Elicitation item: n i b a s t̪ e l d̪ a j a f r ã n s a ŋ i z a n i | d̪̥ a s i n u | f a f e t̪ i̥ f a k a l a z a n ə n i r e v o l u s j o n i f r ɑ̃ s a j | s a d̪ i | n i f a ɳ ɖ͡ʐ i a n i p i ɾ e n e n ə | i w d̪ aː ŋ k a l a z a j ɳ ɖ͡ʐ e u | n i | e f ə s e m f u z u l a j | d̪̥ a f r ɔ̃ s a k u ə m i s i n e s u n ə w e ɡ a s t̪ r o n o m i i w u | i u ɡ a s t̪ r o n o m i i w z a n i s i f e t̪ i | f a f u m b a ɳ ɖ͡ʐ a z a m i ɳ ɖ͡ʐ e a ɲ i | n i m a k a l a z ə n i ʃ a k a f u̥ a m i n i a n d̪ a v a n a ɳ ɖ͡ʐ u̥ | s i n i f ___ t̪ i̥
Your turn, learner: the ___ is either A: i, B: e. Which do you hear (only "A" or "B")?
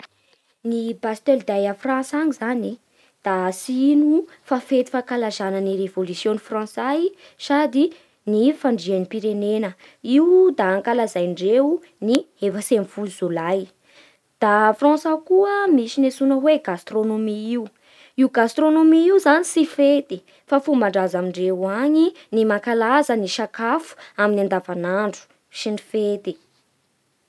B